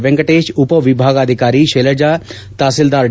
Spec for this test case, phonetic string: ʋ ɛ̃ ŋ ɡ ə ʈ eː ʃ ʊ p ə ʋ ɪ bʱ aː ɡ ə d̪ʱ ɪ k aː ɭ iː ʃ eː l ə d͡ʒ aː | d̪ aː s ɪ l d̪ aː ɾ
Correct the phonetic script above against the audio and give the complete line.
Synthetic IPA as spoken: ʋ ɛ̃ ŋ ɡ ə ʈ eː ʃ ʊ p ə ʋ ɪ bʱ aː ɡ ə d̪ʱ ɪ k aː ɾ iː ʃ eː l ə d͡ʒ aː | t̪ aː s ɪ l d̪ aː ɾ